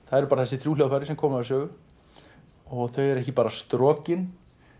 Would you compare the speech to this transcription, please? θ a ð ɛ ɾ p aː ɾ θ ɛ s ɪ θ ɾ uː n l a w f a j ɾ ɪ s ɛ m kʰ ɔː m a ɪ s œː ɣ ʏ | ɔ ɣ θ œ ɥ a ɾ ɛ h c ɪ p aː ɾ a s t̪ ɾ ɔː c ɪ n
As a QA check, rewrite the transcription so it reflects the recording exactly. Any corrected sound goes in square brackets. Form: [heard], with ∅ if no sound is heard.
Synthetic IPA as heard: θ a ð ɛ ɾ p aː ɾ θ ɛ s ɪ θ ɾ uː [∅] l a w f a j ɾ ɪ s ɛ m kʰ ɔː m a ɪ s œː ɣ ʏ | ɔ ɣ θ œ ɥ [ɛ] ɾ ɛ h c ɪ p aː ɾ a s t̪ ɾ ɔː c ɪ n